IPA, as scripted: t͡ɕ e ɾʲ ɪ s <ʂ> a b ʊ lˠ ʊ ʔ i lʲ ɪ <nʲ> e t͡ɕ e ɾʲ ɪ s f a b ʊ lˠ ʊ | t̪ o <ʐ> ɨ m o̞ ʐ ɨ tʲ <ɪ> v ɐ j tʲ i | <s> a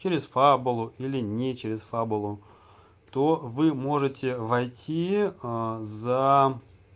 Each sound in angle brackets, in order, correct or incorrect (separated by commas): incorrect, correct, incorrect, correct, incorrect